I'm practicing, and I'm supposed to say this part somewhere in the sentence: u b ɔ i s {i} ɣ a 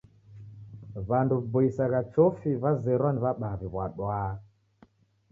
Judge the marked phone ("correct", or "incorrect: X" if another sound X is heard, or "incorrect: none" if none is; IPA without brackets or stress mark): incorrect: a